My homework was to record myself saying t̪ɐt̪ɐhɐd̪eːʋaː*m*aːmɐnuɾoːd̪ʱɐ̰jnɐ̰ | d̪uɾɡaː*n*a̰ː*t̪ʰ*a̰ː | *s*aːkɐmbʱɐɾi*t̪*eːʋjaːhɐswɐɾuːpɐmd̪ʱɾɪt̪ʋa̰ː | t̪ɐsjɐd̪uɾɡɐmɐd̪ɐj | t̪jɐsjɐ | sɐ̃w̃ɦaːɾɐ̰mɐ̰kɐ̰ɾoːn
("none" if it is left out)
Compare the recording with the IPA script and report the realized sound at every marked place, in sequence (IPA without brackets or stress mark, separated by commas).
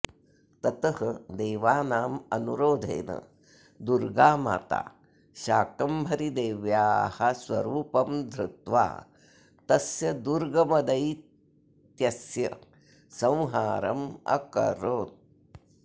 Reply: n, m, t̪, ʃ, d̪